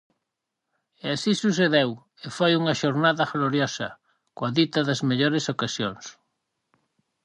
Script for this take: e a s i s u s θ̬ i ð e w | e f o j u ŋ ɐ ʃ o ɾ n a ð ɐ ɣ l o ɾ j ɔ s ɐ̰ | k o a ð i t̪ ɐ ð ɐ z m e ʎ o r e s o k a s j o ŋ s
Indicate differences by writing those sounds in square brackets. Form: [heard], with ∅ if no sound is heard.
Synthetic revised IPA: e a s i s u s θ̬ [e] ð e w | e f o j u ŋ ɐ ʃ o ɾ n a ð ɐ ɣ l o ɾ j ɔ s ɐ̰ | k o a ð i t̪ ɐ ð ɐ z m e ʎ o [ɾ] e s o k a s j o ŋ s